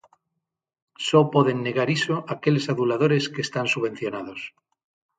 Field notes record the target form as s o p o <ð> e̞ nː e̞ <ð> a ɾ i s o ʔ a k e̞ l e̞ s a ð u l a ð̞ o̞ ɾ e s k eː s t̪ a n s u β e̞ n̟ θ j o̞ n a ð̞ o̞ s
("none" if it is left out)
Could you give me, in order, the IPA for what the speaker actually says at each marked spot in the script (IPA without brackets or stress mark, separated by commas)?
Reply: ð, ɣ